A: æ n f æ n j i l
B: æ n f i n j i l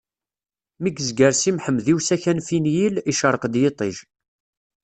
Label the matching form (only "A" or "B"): B